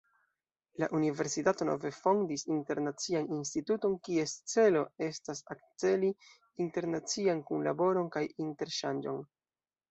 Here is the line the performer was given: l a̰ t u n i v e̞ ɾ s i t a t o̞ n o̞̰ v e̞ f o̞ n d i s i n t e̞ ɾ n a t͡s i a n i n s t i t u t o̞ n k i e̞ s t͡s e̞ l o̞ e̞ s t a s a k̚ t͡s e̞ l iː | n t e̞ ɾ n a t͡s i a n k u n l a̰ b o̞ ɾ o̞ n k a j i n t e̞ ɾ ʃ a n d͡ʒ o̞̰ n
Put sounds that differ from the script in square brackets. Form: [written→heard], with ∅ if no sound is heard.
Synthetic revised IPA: l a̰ [t→ʔ] u n i v e̞ ɾ s i t a t o̞ n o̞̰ v e̞ f o̞ n d i s i n t e̞ ɾ n a t͡s i a n i n s t i t u t o̞ n k i e̞ s t͡s e̞ l o̞ e̞ s t a s a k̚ t͡s e̞ l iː | n t e̞ ɾ n a t͡s i a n k u n l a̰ b o̞ ɾ o̞ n k a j i n t e̞ ɾ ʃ a n d͡ʒ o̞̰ n